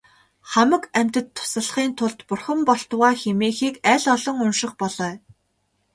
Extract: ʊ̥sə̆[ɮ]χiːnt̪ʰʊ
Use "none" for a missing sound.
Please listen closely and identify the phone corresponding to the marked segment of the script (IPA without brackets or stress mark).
ɮ